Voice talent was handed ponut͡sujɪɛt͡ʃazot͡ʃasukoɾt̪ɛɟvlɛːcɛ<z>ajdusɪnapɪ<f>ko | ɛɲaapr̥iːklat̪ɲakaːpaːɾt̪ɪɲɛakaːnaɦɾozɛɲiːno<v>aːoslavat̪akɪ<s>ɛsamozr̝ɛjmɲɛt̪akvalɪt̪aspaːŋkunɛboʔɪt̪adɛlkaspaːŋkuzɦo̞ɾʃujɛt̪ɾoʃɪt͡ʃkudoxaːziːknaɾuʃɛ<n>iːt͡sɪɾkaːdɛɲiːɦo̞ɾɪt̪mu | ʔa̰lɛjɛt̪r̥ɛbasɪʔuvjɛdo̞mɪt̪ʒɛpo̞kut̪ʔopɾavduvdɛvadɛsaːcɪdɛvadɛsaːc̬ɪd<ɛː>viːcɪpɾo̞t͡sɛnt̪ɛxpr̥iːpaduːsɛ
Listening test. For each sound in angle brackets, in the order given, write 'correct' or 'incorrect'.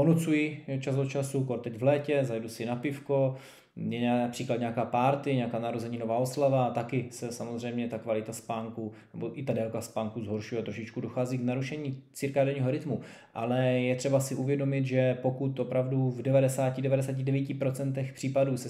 correct, correct, correct, correct, incorrect: ɲ, incorrect: ɛ

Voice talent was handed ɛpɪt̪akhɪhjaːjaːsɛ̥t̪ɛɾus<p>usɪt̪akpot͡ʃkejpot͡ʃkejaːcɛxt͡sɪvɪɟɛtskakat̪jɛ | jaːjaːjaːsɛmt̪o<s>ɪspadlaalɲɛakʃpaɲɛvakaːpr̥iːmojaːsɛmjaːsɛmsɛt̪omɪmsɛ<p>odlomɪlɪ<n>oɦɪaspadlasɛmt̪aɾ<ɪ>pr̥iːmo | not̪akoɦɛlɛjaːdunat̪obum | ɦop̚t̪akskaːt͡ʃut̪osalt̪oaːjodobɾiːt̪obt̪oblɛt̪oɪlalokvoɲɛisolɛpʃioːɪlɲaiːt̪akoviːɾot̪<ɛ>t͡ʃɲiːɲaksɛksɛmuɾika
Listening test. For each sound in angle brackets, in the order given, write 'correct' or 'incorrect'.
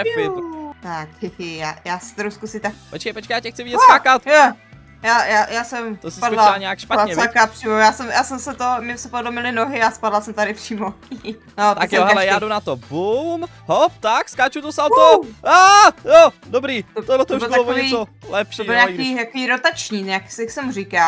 incorrect: k, correct, correct, correct, correct, incorrect: a

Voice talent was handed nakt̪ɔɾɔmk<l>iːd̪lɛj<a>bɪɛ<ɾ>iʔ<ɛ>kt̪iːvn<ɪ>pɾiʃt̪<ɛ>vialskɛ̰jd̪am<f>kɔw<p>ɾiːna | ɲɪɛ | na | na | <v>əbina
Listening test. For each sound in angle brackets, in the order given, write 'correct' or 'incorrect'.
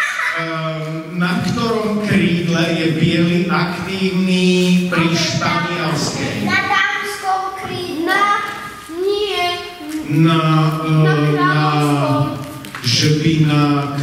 incorrect: ɾ, incorrect: ɛ, incorrect: l, incorrect: a, incorrect: i, incorrect: a, incorrect: s, incorrect: k, incorrect: ʒ

